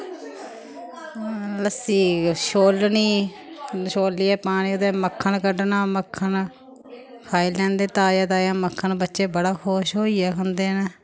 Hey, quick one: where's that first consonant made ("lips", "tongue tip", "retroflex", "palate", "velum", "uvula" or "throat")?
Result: tongue tip